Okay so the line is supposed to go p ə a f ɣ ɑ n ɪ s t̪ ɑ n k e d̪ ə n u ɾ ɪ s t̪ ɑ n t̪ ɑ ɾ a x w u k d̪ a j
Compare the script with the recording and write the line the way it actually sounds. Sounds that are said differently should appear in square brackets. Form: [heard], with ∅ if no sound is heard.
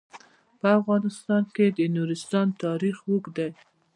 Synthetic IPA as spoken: p ə a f ɣ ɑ n ɪ s t̪ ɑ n k e d̪ ə n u ɾ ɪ s t̪ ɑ n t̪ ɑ ɾ [i] x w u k d̪ a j